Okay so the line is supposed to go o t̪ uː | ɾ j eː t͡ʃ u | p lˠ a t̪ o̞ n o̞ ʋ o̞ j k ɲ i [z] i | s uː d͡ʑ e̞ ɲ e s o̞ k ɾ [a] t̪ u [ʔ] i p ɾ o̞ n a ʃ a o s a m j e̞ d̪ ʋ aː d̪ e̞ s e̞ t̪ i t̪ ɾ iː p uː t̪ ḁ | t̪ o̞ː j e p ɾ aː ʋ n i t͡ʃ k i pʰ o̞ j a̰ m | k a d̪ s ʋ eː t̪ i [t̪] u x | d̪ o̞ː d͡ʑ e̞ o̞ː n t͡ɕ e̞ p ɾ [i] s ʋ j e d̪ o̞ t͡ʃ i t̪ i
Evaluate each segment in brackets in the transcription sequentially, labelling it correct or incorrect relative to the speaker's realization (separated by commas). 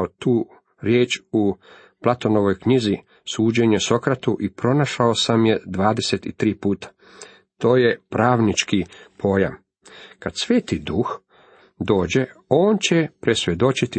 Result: correct, correct, correct, incorrect, incorrect